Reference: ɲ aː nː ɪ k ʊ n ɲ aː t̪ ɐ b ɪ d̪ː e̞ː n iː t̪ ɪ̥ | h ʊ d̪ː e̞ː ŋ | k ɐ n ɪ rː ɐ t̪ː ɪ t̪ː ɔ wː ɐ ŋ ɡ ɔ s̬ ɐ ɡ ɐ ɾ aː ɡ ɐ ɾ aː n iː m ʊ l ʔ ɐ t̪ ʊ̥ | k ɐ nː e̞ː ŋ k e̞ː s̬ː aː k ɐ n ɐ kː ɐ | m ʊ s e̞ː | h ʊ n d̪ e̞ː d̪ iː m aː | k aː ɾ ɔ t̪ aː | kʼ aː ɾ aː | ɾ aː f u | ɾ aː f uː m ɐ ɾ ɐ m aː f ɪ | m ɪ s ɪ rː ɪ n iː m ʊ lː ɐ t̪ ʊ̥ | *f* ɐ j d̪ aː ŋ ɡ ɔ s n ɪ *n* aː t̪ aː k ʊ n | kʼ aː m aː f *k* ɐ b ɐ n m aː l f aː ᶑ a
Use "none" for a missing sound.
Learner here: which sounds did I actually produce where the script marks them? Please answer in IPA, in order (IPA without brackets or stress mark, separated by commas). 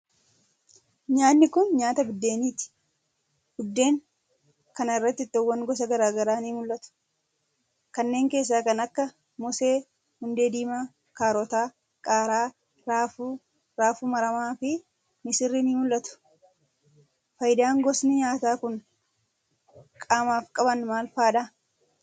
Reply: f, ɲ, kʼ